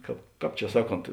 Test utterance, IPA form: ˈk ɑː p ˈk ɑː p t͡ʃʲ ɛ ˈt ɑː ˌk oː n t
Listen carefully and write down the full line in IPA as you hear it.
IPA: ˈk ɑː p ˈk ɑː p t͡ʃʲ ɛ ˈs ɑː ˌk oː n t